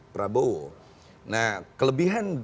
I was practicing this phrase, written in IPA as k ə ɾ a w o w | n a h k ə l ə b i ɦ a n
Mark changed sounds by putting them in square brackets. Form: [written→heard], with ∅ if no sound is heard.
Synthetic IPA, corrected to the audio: [k→p] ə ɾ a [w→b] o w | n a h k ə l ə b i ɦ a n